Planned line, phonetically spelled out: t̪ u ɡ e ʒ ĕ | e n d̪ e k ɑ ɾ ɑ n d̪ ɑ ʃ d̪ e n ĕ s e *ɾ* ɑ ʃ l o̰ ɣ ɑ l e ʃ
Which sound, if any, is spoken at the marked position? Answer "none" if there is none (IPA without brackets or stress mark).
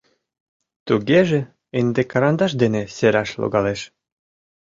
ɾ